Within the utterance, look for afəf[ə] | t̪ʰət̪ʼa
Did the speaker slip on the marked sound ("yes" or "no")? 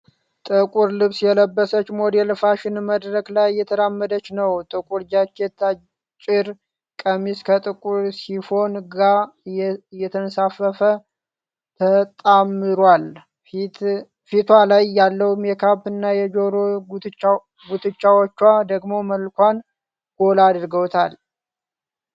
no